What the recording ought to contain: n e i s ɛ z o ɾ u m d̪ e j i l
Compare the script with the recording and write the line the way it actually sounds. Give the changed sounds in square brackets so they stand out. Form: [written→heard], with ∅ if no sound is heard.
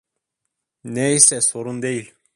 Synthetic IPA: n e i s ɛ [z→s] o ɾ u [m→n] d̪ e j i l